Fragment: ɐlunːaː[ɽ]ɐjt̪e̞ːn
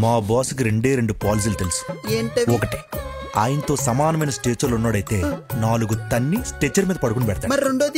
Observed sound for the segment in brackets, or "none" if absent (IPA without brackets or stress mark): ɽ